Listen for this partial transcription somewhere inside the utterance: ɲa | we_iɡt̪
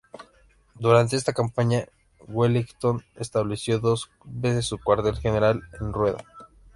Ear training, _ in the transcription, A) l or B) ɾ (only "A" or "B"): A